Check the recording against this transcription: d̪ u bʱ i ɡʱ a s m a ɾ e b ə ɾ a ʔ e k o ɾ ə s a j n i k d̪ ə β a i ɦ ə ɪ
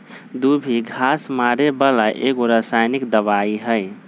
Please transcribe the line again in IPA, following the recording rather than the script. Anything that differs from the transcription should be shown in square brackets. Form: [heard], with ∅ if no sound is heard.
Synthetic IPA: d̪ u bʱ i ɡʱ a s m a ɾ e b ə [l] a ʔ e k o ɾ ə s a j n i k d̪ ə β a i ɦ ə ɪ